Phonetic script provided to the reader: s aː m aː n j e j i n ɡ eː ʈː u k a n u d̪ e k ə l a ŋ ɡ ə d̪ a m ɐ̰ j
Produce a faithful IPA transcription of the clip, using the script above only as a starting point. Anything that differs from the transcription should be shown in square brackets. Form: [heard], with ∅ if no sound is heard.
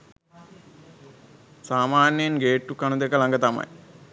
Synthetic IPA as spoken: s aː m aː n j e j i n ɡ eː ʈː u k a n u d̪ e k ə l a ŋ ɡ ə [t̪] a m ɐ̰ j